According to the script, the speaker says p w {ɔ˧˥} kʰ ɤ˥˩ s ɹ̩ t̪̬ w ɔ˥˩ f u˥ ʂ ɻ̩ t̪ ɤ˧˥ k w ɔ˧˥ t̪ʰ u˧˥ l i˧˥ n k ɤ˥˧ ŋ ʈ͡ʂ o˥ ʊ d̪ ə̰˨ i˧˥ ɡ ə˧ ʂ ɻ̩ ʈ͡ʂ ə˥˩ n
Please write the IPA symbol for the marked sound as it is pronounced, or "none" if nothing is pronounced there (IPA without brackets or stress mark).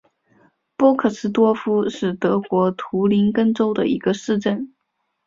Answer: ɔ˥